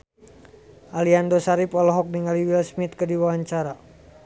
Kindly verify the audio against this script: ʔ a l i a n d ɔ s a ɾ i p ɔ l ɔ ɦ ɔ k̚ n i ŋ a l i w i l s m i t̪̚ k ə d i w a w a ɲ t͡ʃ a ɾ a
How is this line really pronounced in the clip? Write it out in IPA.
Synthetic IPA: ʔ a l i a n d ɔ s a ɾ i p ɔ l ɔ ɦ ɔ k̚ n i ŋ a l i w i l s m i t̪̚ k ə d i w a w a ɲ t͡ʃ a ɾ a